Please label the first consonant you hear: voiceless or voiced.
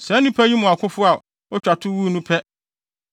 voiceless